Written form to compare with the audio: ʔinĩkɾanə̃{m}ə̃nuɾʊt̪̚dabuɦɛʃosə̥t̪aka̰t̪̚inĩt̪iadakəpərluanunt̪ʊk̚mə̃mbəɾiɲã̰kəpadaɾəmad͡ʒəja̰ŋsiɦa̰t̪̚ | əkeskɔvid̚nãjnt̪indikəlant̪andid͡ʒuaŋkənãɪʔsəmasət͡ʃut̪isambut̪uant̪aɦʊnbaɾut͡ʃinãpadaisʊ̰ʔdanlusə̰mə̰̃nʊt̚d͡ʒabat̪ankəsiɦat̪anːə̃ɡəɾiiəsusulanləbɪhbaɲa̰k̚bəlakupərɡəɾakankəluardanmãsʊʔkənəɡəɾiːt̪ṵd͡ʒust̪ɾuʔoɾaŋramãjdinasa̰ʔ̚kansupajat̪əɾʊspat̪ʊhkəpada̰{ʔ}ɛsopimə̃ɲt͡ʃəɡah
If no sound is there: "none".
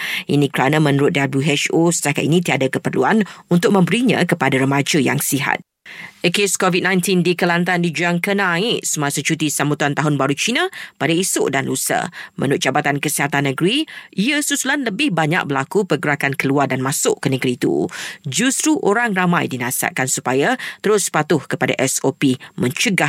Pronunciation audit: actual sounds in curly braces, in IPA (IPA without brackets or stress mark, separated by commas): m, ʔ